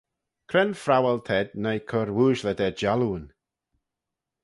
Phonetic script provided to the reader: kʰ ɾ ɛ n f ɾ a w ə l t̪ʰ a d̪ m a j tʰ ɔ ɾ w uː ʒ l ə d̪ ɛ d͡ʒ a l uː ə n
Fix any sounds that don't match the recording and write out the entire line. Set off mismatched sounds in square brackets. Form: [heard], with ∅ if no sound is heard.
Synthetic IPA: kʰ ɾ ɛ n f ɾ a w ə l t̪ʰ [ɛ] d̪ [n] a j [kʰ] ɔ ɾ w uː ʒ l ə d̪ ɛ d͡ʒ a l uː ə n